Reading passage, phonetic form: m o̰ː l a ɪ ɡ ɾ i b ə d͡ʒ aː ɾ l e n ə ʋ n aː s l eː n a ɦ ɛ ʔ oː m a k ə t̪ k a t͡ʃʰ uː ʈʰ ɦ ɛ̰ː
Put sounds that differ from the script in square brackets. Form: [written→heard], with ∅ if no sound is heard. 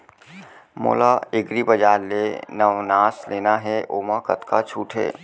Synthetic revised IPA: m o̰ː l a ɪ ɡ ɾ i b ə d͡ʒ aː ɾ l e n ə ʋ n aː s l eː n a ɦ ɛ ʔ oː m a k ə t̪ k a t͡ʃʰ uː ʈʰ ɦ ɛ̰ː

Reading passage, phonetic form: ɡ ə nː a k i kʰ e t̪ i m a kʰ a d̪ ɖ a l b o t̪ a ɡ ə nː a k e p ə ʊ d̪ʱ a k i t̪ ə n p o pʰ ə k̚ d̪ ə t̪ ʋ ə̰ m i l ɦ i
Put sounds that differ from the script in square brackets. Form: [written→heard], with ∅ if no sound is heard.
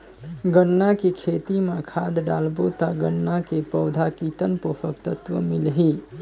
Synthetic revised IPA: ɡ ə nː a k [i→e] kʰ e t̪ i m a kʰ a d̪ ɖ a l b o t̪ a ɡ ə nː a k e p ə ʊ d̪ʱ a k i t̪ ə n p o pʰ ə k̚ [d̪→t̪] ə t̪ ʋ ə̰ m i l ɦ i

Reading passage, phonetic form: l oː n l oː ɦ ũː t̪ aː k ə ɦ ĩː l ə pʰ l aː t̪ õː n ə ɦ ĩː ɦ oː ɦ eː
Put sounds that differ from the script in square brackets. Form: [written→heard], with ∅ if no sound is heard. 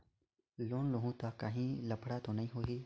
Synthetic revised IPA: l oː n l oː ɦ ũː t̪ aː k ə ɦ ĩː l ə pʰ [l→ɽ] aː t̪ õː n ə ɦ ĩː ɦ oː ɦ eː

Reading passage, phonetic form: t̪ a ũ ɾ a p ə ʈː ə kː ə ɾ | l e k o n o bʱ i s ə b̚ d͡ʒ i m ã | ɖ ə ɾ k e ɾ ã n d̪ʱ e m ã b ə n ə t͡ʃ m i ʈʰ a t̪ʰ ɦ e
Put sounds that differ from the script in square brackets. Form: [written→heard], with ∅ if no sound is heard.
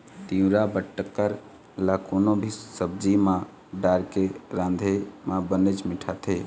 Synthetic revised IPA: t̪ [a→i] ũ ɾ a [p→b] ə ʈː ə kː ə ɾ | l [e→a] k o n o bʱ i s ə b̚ d͡ʒ i m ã | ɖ [ə→a] ɾ k e ɾ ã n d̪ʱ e m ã b ə n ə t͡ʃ m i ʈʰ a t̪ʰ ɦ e

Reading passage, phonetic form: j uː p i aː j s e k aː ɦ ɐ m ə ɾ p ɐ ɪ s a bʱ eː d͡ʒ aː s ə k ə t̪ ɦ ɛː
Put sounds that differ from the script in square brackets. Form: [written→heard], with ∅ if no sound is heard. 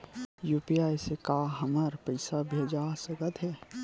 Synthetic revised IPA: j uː p i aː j s e k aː ɦ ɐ m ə ɾ p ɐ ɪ s a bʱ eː d͡ʒ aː s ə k ə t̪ ɦ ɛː

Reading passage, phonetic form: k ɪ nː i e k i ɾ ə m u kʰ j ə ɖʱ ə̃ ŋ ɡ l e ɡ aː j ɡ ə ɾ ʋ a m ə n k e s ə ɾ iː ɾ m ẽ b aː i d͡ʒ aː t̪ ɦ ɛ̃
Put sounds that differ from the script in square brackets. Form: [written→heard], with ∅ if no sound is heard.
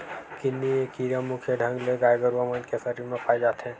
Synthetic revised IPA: k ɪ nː i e k i ɾ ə m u kʰ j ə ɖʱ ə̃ ŋ ɡ l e ɡ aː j ɡ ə ɾ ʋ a m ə n k e s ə ɾ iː ɾ m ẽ [b→p] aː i d͡ʒ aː t̪ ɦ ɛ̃

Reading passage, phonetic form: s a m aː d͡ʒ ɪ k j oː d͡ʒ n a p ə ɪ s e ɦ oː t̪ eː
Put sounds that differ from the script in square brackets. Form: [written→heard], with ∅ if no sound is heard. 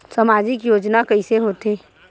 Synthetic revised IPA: s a m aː d͡ʒ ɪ k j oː d͡ʒ n a [p→k] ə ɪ s e ɦ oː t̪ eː

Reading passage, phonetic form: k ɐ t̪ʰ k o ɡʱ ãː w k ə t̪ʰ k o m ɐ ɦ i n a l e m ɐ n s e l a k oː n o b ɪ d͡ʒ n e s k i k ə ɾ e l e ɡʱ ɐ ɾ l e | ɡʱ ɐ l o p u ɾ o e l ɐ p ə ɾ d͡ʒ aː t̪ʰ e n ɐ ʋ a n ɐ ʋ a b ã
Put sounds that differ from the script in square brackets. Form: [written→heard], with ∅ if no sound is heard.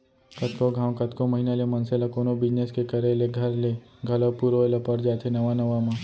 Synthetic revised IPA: k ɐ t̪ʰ k o ɡʱ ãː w k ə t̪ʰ k o m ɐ ɦ i n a l e m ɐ n s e l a k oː n o b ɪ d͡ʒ n e s k [i→e] k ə ɾ e l e ɡʱ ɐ ɾ l e | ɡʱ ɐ l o p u ɾ o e l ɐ p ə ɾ d͡ʒ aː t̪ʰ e n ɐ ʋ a n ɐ ʋ a [b→m] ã

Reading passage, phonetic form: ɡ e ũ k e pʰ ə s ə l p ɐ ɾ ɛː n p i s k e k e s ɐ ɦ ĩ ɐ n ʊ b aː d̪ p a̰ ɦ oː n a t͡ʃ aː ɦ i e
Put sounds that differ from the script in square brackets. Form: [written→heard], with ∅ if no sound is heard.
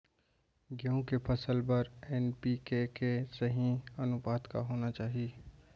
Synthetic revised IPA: ɡ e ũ k e pʰ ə s ə l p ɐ ɾ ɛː n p i [s→∅] k e k e s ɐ ɦ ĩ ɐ n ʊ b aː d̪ [p→k] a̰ ɦ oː n a t͡ʃ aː ɦ i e

